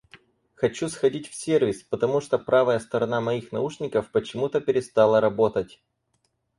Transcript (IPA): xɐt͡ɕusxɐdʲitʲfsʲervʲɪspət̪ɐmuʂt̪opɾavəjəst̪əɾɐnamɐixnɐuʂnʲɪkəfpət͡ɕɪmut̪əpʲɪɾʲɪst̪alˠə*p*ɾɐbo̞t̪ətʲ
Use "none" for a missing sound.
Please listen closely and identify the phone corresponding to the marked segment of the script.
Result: none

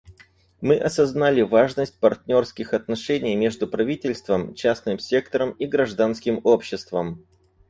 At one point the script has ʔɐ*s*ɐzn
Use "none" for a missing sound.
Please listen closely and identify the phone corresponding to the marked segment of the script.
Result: s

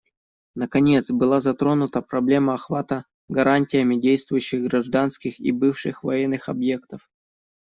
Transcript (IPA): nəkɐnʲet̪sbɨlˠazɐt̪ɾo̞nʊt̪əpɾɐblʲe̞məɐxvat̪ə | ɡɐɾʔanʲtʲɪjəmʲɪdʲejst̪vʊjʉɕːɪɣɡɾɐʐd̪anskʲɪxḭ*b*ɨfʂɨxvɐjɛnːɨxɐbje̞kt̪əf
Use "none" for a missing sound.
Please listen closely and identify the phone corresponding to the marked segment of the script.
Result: b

